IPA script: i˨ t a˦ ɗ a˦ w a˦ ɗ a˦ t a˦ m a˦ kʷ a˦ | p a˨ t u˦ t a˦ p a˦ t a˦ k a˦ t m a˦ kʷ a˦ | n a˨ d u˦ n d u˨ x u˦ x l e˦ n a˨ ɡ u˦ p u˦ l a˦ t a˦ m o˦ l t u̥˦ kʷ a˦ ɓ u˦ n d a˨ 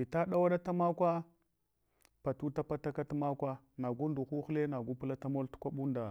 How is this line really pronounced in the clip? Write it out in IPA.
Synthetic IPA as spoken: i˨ t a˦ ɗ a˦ w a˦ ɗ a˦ t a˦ m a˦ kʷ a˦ | p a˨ t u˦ t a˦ p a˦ t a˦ k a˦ t m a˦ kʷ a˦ | n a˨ ɡ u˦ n d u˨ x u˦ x l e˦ n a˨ ɡ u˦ p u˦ l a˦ t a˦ m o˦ l t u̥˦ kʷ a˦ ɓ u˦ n d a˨